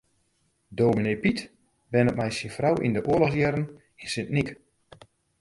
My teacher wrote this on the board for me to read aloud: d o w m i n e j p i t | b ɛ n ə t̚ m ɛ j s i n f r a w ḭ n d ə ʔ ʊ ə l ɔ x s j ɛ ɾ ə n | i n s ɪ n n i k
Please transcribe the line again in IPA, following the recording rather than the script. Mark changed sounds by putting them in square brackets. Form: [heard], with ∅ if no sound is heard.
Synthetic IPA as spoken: d o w m i n e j p i t | b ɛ n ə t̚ m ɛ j s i n f r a w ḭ n d ə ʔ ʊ ə l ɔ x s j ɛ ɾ ə n | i n s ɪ n n i k